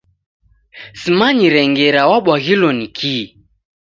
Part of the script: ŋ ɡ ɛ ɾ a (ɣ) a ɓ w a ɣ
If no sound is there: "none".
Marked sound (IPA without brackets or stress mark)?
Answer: w